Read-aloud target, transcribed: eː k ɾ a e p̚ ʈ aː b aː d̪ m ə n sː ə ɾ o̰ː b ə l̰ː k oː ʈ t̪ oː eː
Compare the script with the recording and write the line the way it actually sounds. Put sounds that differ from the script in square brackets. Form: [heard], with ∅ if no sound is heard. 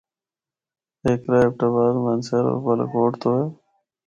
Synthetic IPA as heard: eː k ɾ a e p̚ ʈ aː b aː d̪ m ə n [s] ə ɾ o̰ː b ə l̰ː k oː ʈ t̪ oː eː

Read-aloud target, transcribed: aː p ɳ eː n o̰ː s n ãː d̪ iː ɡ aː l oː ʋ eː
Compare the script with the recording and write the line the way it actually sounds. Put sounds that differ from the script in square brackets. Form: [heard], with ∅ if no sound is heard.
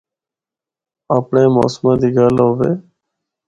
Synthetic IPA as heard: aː p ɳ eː [m] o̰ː s [m] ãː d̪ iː ɡ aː l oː ʋ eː

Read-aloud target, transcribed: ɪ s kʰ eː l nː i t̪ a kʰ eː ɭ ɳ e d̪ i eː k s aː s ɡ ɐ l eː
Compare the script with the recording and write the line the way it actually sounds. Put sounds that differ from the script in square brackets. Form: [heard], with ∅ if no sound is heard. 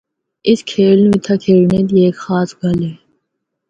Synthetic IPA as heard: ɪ s kʰ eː l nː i [t̪ʰ] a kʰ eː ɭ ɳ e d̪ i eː k [x] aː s ɡ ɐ l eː

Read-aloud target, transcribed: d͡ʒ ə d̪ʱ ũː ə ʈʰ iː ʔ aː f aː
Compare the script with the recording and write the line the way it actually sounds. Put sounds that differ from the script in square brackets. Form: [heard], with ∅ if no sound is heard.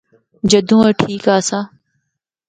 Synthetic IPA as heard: d͡ʒ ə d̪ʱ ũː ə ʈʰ iː [k] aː [s] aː

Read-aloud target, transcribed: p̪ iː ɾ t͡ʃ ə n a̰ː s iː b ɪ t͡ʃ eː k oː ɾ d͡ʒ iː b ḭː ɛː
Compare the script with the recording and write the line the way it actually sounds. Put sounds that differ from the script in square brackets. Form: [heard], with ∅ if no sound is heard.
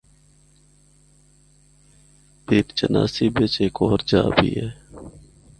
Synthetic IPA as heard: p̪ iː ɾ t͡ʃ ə n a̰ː s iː b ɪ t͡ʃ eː k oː ɾ d͡ʒ [aː] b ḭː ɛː

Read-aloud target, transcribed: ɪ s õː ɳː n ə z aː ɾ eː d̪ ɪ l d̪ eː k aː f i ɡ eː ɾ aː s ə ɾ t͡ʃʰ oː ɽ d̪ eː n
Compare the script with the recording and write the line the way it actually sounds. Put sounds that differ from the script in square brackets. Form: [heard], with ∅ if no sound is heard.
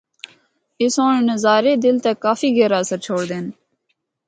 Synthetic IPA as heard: ɪ s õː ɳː n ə z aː ɾ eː d̪ ɪ l [t̪] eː k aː f [iː] ɡ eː ɾ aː s ə ɾ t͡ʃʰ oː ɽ d̪ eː n

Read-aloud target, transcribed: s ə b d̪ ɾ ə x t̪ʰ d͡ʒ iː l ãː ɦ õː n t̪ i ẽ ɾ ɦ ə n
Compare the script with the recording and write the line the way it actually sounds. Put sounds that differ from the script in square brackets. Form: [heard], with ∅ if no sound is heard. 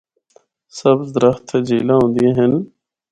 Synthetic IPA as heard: s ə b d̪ ɾ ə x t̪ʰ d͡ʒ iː l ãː ɦ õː n [d̪] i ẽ [∅] ɦ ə n

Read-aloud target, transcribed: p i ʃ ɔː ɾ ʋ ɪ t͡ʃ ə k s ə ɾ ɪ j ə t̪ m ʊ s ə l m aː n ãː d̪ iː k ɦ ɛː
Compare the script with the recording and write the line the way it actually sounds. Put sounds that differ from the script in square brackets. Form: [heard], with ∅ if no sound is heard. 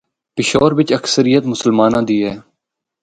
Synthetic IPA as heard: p [ɪ] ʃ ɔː ɾ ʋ ɪ t͡ʃ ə k s ə ɾ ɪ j ə t̪ m ʊ s ə l m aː n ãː d̪ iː [∅] ɦ ɛː

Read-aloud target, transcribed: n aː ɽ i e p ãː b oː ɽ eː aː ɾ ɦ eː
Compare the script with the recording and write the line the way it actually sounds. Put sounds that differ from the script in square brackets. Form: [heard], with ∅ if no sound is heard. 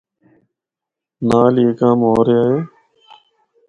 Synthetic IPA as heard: n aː [l] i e [k] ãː [m] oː [ɾ] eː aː [∅] ɦ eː

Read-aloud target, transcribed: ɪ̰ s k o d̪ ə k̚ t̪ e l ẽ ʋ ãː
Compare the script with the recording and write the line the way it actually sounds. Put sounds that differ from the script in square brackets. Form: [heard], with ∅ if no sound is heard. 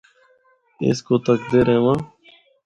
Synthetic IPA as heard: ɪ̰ s k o [t̪] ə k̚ [d̪] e [ɾ] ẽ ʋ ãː

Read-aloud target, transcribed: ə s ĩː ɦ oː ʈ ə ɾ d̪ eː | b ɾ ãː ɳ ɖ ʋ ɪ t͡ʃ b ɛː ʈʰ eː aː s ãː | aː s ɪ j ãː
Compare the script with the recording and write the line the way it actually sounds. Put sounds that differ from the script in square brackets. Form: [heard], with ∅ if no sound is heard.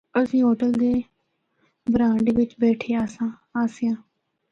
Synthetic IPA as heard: ə s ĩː ɦ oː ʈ ə [l] d̪ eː | b ɾ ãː ɳ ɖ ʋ ɪ t͡ʃ b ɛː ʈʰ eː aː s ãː | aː s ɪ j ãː

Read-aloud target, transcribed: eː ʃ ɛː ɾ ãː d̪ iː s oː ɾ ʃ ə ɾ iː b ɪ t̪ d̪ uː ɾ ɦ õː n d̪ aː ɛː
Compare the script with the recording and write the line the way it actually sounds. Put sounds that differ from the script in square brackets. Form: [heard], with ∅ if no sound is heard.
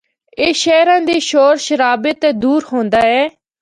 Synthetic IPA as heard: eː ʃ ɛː ɾ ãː d̪ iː [ʃ] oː ɾ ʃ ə ɾ [aː] b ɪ t̪ d̪ uː ɾ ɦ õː n d̪ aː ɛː

